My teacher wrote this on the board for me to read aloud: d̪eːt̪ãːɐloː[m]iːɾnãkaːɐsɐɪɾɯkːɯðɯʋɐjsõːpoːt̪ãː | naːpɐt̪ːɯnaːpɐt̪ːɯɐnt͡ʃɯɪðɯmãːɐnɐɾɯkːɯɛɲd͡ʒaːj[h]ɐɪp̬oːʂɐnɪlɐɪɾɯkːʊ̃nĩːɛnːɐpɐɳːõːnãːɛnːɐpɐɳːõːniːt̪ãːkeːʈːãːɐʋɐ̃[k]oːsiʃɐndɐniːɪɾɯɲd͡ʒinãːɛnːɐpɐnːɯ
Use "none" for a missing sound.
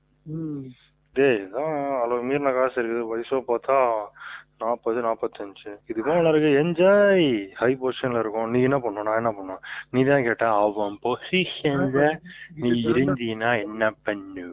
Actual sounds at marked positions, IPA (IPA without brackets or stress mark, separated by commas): m, h, p